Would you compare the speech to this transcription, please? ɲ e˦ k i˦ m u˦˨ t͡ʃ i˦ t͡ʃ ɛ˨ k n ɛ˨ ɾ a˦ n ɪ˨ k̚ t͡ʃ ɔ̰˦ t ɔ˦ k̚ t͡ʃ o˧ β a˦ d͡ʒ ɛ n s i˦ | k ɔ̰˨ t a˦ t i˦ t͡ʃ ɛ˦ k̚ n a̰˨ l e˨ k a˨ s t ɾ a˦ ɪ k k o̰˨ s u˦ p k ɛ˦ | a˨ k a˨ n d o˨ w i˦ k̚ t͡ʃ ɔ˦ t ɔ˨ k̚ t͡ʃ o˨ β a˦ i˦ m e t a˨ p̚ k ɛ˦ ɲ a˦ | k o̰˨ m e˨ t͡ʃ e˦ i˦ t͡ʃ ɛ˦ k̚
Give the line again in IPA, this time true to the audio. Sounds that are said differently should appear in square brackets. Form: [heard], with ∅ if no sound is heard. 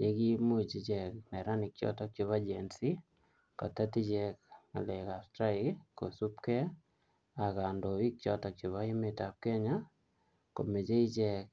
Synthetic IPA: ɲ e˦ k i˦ m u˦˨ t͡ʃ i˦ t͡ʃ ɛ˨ k n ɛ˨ ɾ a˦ n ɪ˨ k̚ t͡ʃ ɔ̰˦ t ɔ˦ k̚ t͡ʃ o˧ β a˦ d͡ʒ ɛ n s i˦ | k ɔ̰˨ t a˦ t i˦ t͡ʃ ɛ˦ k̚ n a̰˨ l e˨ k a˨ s t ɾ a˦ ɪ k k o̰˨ s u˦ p k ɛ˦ | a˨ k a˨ n d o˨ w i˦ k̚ t͡ʃ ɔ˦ t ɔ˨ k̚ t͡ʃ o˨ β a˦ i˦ m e t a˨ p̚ k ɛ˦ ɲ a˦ | k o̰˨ m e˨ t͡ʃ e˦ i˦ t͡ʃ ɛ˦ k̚